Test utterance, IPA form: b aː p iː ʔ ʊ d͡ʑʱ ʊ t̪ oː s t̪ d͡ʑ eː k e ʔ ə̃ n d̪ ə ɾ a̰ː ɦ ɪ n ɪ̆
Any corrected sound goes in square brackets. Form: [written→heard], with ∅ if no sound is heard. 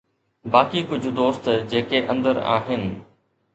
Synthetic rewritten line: b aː [p→k] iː [ʔ→k] ʊ d͡ʑʱ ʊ [t̪→d̪] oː s t̪ d͡ʑ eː k e ʔ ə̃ n d̪ ə ɾ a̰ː ɦ ɪ n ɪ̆